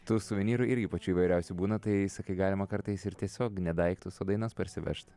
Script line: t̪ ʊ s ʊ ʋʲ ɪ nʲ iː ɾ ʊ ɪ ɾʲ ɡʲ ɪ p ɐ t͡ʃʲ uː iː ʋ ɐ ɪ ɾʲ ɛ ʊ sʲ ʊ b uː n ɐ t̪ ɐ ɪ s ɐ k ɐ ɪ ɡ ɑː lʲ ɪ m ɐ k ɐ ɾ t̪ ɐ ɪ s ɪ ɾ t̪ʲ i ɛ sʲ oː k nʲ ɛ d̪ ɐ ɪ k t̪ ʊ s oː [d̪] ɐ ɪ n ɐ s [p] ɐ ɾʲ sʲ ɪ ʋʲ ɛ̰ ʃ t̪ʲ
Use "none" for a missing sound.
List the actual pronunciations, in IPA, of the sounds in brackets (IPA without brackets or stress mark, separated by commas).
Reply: d̪, p